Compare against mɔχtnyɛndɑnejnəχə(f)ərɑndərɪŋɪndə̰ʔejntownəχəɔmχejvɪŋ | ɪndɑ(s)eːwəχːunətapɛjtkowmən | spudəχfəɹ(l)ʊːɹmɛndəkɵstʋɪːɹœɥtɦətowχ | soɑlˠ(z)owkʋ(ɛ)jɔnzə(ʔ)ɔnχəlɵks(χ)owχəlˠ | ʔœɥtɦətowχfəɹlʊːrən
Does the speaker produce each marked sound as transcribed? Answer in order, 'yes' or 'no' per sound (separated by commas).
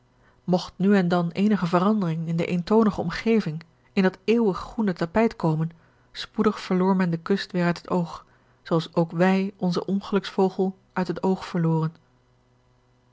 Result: no, no, yes, no, yes, yes, no